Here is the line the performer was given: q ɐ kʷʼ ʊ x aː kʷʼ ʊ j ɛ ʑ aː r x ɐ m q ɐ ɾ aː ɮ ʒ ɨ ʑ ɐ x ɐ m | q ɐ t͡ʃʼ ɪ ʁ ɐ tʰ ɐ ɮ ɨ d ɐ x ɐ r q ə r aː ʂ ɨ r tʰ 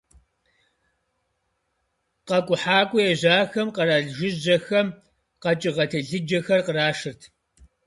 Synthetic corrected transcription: q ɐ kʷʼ ʊ ħ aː kʷʼ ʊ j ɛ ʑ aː x ɐ m q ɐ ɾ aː ɮ ʒ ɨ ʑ ɐ x ɐ m | q ɐ t͡ʃʼ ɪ ʁ ɐ tʰ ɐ ɮ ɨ d͡ʒ ɐ x ɐ r q ə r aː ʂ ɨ r tʰ